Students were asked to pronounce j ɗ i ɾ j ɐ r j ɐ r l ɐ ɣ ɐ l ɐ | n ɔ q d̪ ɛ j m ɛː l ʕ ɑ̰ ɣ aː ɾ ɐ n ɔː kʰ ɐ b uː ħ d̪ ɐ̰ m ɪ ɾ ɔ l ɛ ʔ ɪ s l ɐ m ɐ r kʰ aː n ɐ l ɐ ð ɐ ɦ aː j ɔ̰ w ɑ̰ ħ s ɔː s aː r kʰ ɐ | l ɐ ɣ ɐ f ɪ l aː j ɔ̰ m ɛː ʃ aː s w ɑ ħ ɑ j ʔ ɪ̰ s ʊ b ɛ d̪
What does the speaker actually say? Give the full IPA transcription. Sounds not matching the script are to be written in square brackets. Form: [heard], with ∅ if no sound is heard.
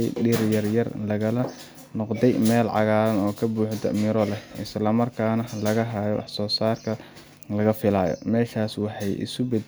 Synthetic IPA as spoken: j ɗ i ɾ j ɐ r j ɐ r l ɐ ɣ ɐ l ɐ | n ɔ q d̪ ɛ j m ɛː l ʕ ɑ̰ ɣ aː ɾ ɐ n ɔː kʰ ɐ b uː ħ d̪ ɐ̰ m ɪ ɾ ɔ l ɛ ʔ ɪ s l ɐ m ɐ r kʰ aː n ɐ l ɐ [ɣ] ɐ ɦ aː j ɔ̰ w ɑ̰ ħ s ɔː s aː r kʰ ɐ | l ɐ ɣ ɐ f ɪ l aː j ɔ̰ m ɛː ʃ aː s w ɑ ħ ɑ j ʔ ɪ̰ s ʊ b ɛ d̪